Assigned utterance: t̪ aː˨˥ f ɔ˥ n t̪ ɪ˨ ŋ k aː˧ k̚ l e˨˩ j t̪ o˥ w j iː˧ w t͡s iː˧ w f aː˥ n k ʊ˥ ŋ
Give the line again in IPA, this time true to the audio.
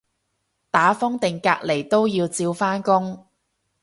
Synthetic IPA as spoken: t̪ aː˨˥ f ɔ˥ ŋ t̪ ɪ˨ ŋ k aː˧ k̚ l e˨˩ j t̪ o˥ w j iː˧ w t͡s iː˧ w f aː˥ n k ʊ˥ ŋ

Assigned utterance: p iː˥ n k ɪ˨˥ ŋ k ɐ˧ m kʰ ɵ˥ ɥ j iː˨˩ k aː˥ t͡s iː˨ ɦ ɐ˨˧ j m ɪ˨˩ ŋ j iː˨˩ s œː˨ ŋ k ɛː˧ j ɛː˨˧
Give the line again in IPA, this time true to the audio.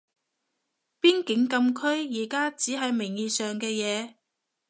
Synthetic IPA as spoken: p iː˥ n k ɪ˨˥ ŋ k ɐ˧ m kʰ ɵ˥ ɥ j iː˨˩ k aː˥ t͡s iː˨˥ ɦ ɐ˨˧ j m ɪ˨˩ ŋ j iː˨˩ s œː˨ ŋ k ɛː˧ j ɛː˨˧

